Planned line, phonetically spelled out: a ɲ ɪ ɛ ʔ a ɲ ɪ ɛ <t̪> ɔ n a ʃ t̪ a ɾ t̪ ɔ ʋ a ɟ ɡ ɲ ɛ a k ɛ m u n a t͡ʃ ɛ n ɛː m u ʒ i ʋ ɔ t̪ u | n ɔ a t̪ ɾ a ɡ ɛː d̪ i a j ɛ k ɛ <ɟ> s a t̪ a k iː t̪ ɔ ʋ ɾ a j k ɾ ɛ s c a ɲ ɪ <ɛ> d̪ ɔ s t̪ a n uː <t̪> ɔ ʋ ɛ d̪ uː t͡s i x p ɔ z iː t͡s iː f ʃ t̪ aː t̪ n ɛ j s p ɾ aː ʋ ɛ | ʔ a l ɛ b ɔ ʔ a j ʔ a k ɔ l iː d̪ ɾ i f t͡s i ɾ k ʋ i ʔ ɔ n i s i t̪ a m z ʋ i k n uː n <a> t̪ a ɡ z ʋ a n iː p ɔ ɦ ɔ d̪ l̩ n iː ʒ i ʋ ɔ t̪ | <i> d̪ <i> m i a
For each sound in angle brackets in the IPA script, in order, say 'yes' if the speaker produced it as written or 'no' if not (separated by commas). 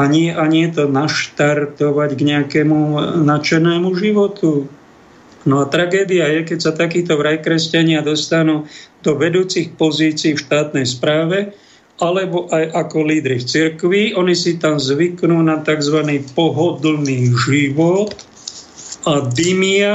yes, no, no, no, yes, no, yes